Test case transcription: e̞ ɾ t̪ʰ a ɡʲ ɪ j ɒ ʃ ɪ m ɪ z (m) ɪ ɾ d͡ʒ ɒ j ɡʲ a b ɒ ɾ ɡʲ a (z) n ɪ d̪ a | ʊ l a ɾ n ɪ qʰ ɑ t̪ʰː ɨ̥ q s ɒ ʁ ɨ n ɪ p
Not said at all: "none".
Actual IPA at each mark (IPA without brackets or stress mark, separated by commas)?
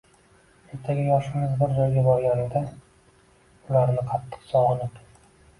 b, none